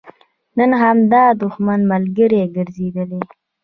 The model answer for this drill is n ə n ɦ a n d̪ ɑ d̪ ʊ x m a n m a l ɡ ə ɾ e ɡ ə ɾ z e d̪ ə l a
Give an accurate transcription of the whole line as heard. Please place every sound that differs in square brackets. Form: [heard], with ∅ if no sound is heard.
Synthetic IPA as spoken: n ə n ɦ a [m] d̪ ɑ d̪ ʊ x m a n m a l ɡ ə ɾ e ɡ ə ɾ z e d̪ ə l [e]